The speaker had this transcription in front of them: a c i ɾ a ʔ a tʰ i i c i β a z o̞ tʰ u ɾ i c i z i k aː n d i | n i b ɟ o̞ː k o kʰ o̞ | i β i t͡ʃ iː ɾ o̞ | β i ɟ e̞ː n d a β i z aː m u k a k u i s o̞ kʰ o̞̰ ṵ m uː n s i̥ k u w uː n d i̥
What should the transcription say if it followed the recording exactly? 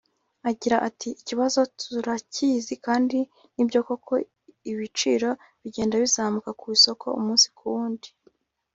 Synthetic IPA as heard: a ɟ i ɾ a ʔ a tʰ i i c i β a z o̞ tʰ u ɾ a c i z i k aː n d i | n i b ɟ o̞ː k o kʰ o̞ | i β i t͡ʃ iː ɾ o̞ | β i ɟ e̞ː n d a β i z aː m u k a k u i s o̞ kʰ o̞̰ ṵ m uː n s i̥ k u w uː n d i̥

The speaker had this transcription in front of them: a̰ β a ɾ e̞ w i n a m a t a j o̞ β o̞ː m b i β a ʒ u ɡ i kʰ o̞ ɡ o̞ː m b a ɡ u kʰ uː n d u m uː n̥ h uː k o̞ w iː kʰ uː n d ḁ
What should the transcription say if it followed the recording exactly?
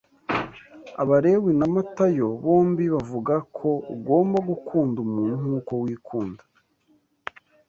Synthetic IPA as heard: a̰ β a ɾ e̞ w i n a m a t a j o̞ β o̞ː m b i β a v u ɡ a kʰ o̞ ɡ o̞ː m b a ɡ u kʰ uː n d u m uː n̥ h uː k o̞ w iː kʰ uː n d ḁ

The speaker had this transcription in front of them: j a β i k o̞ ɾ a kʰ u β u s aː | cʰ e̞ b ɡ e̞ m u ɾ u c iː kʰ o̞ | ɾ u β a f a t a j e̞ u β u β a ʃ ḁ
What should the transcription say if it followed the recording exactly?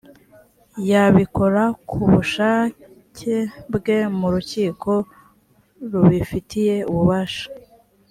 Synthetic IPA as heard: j a β i k o̞ ɾ a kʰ u β u ʃ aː | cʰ e̞ b ɡ e̞ m u ɾ u c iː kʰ o̞ | ɾ u β i f i t i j e̞ u β u β a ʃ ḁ

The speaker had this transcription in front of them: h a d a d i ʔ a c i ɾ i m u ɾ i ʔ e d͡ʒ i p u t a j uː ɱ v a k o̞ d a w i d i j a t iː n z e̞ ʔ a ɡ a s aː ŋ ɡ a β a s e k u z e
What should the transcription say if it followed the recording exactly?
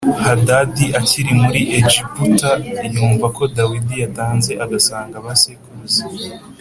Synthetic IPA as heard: h a d a d i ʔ a c i ɾ i m u ɾ i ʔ e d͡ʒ i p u t a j uː ɱ v a k o̞ d a w i d i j a t aː n z e̞ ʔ a ɡ a s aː ŋ ɡ a β a s e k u z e

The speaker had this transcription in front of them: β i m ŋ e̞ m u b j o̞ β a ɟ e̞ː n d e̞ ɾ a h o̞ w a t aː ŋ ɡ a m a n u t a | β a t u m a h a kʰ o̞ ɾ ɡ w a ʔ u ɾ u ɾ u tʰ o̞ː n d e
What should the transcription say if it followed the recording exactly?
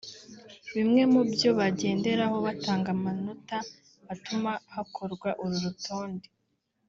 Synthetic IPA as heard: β i m ŋ e̞ m u b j o̞ β a ɟ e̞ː n d e̞ ɾ a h o̞ β a t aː ŋ ɡ a m a n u t a | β a t u m a h a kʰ o̞ ɾ ɡ w a ʔ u ɾ u ɾ u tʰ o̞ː n d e

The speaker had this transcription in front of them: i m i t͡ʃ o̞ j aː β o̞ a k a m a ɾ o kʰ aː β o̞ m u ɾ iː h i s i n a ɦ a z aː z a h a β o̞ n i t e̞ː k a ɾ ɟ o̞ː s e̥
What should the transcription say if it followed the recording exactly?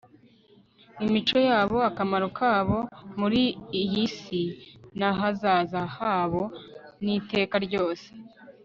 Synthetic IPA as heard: i m i t͡ʃ o̞ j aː β o̞ a k a m a ɾ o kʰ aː β o̞ m u ɾ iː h i s i n a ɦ a z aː z a h a β o̞ n i t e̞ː k a ɾ ɟ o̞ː s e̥

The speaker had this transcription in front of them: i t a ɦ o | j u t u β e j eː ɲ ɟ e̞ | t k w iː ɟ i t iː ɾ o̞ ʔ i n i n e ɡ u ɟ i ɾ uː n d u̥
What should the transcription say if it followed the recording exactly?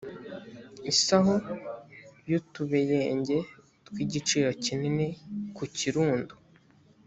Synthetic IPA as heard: i s a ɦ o | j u t u β e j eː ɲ ɟ e̞ | t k w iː ɟ i t͡ʃ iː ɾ o̞ c i n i n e k u c i ɾ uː n d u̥

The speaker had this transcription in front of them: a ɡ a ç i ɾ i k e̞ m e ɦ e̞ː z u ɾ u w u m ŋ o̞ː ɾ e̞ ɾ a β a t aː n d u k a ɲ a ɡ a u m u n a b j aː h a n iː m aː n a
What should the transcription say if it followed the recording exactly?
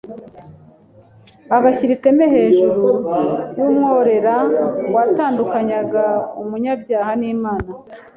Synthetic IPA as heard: a ɡ a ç i ɾ i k e̞ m e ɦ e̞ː ʒ u ɾ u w u m ŋ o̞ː ɾ e̞ ɾ a w a t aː n d u k a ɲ a ɡ a u m u ɲ a b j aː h a n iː m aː n a

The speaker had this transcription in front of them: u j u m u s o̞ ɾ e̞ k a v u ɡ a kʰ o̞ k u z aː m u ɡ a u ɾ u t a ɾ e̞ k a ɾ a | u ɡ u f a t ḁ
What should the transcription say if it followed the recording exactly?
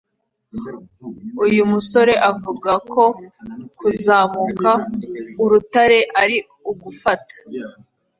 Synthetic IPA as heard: u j u m u s o̞ ɾ e̞ ʔ a v u ɡ a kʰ o̞ k u z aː m u k a u ɾ u t a ɾ e̞ ʔ a ɾ i | u ɡ u f a t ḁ

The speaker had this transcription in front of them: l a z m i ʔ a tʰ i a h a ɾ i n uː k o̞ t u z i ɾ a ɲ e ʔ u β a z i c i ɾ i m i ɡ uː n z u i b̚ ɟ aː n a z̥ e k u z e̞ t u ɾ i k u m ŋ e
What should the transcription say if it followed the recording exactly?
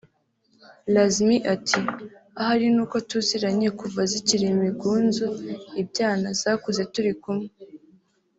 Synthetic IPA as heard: l a z m i ʔ a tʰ i a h a ɾ i n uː k o̞ t u z i ɾ a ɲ e k u v a z i c i ɾ i m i ɡ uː n z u i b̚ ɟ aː n a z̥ a k u z e̞ t u ɾ i k u m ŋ e

